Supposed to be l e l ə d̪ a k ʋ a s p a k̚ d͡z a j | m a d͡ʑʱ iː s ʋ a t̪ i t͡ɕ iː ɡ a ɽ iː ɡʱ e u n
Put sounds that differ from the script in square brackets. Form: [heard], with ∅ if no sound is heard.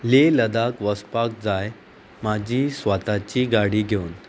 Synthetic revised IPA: l e l ə d̪ a k ʋ [ə] s p a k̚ d͡z a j | m a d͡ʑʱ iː s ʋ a t̪ [a] t͡ɕ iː ɡ a ɽ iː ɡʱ e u n